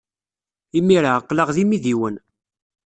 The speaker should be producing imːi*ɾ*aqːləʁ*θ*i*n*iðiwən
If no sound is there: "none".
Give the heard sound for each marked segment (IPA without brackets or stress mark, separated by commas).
ɾ, ð, m